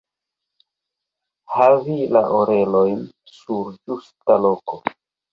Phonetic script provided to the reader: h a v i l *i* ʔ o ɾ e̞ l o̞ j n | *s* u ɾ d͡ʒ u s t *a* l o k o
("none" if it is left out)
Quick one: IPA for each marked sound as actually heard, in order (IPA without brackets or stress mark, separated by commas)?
a, s, a